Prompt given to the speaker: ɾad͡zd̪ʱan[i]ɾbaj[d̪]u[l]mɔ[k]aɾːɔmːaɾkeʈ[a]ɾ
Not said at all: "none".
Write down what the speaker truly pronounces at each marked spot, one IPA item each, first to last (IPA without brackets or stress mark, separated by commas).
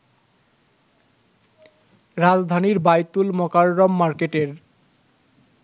i, t̪, l, k, e